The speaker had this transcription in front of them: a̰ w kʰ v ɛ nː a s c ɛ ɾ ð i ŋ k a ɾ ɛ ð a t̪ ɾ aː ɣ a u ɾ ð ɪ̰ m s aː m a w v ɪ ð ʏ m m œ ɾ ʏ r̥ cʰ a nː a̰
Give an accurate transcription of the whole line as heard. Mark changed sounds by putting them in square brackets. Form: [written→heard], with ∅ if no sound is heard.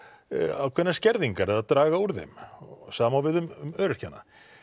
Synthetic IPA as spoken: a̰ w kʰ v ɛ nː a s c ɛ ɾ ð i ŋ k a ɾ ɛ ð a t̪ ɾ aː ɣ a u ɾ ð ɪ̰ m s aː m a w v ɪ ð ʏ m m œ ɾ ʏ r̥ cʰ a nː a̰

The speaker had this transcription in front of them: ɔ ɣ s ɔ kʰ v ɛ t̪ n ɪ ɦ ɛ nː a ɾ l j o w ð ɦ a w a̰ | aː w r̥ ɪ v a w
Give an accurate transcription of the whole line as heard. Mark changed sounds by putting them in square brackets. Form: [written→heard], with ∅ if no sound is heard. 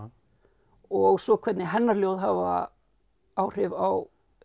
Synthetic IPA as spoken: ɔ ɣ s ɔ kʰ v ɛ t̪ n ɪ ɦ ɛ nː a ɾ l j o w ð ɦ a [w→v] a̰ | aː w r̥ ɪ v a w

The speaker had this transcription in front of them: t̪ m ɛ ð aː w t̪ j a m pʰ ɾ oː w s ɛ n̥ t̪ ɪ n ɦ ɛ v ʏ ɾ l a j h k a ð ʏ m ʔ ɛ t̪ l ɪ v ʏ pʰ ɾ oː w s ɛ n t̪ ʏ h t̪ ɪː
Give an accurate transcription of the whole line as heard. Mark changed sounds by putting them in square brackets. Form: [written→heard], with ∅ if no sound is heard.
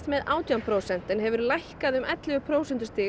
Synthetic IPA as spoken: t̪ m ɛ ð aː w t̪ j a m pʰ ɾ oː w s ɛ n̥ t̪ ɪ n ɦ ɛ v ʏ ɾ l a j h k a ð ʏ m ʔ ɛ t̪ l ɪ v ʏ pʰ ɾ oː w s ɛ n t̪ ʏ [h→s] t̪ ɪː

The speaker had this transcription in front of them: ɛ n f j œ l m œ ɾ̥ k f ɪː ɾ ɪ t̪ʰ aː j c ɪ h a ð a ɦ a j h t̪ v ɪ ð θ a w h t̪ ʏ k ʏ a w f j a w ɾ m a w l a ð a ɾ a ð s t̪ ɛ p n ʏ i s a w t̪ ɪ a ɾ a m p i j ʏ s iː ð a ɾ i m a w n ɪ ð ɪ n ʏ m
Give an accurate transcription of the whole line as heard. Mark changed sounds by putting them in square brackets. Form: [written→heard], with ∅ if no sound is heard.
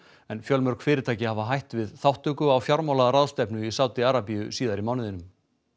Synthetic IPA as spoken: ɛ n f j œ l m œ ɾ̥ k f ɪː ɾ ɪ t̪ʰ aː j c ɪ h a [ð→v] a ɦ a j h t̪ v ɪ ð θ a w h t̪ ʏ k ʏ a w f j a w ɾ m a w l a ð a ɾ a ð s t̪ ɛ p n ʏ i s a w t̪ ɪ a ɾ a [m→∅] p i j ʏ s iː ð a ɾ i m a w n ɪ ð ɪ n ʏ m

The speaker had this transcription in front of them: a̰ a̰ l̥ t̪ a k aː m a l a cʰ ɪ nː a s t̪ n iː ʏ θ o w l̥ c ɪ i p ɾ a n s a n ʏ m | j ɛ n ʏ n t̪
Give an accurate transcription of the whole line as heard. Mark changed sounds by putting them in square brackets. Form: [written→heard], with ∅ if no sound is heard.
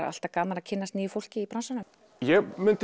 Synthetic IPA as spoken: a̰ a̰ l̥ t̪ a k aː m a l a cʰ ɪ nː a s t̪ n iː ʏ [θ→f] o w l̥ c ɪ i p ɾ a n s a n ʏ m | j ɛ [n→m] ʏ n t̪

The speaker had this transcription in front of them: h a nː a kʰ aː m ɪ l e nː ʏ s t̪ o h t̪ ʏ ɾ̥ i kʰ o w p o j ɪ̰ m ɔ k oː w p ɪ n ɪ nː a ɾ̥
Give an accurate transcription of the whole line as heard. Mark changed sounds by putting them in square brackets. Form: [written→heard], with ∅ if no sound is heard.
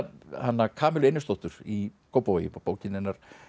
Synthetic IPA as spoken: h a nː a kʰ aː m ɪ l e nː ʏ s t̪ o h t̪ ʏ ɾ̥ i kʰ o w p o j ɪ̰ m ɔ [k→p] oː w [p→c] ɪ n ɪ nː a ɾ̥

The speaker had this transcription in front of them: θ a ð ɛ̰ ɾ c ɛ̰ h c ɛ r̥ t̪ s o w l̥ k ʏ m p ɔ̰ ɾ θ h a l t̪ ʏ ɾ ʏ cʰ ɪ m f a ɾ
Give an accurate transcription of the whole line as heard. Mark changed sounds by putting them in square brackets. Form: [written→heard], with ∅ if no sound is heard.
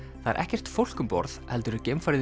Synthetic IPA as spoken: θ a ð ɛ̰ ɾ [c→ʔ] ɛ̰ h c ɛ r̥ t̪ [s→f] o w l̥ k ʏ m p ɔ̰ ɾ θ h [a→ɛ] l t̪ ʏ ɾ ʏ [cʰ→c] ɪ m f a ɾ

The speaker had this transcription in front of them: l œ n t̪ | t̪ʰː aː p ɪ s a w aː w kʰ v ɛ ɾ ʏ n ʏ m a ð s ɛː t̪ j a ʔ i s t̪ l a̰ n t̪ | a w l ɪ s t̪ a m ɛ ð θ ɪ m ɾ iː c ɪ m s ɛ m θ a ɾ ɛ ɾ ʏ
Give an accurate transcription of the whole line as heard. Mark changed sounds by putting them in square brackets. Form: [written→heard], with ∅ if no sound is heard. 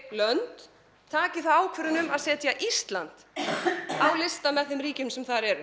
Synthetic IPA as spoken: l œ n t̪ | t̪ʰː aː [p→c] ɪ [s→θ] a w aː w kʰ v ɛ ɾ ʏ n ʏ m a ð s ɛː t̪ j a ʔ i s t̪ l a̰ n t̪ | a w l ɪ s t̪ a m ɛ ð θ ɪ m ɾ iː c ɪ m s ɛ m θ a ɾ ɛ ɾ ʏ

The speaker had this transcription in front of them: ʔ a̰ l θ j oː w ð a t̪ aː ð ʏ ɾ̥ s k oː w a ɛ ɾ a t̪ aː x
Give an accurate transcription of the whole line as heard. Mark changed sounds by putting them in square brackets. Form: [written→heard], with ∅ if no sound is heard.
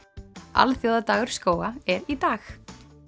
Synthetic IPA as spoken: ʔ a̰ l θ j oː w ð a t̪ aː [ð→ɣ] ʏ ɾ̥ s k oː w a ɛ ɾ [a→i] t̪ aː x

